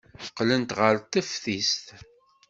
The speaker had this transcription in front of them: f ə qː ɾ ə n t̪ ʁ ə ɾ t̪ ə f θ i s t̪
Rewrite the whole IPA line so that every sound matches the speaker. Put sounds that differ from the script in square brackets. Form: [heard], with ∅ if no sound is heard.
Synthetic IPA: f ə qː [l] ə n t̪ ʁ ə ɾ t̪ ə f θ i s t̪